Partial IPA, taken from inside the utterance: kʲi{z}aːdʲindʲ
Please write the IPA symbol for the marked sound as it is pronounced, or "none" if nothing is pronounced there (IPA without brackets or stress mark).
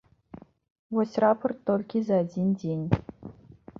z